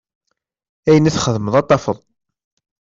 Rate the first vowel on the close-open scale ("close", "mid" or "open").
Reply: open